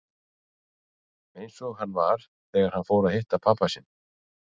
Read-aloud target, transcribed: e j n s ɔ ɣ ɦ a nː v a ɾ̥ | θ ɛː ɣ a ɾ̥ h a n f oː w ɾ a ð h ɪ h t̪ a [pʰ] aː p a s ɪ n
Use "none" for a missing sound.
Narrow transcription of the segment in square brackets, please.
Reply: pʰ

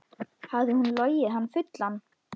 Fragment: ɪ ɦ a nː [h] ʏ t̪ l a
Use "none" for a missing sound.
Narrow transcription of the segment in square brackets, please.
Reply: f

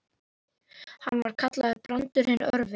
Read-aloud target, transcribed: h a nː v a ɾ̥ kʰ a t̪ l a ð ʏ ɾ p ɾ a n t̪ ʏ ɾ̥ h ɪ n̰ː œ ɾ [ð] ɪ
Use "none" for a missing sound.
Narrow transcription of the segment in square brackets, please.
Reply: v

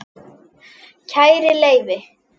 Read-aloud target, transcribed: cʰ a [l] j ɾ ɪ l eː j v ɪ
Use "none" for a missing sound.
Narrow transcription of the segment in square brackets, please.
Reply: none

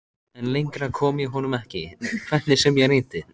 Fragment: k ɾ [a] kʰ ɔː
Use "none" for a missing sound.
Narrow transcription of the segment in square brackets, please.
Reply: a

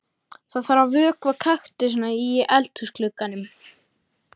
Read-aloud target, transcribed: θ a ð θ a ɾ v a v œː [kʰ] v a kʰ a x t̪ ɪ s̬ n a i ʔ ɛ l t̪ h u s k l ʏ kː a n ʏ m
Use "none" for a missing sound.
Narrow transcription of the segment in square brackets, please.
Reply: k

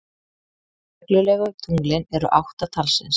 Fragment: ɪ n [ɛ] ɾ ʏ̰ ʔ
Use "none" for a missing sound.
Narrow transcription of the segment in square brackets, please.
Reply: ɛ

